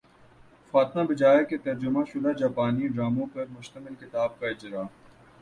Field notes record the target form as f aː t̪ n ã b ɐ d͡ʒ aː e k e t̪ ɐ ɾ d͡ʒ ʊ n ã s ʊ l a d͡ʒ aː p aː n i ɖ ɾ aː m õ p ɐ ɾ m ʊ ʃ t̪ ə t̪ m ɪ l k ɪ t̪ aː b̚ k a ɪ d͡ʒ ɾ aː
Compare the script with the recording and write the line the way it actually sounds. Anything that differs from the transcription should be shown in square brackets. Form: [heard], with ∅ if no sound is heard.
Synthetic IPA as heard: f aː t̪ [m] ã b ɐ d͡ʒ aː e k e t̪ ɐ ɾ d͡ʒ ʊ [m] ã [ʃ] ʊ l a d͡ʒ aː p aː n i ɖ ɾ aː m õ p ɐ ɾ m ʊ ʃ t̪ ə [∅] m ɪ l k ɪ t̪ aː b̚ k a ɪ d͡ʒ ɾ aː